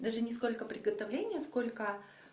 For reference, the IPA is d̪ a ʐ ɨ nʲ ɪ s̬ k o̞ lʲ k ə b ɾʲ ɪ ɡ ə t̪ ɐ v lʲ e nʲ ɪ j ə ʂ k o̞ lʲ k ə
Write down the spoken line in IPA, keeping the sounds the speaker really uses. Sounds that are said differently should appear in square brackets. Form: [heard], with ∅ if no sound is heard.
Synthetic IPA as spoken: d̪ a ʐ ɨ nʲ ɪ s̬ k o̞ lʲ k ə [p] ɾʲ ɪ ɡ ə t̪ ɐ v lʲ e nʲ ɪ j ə [s] k o̞ lʲ k ə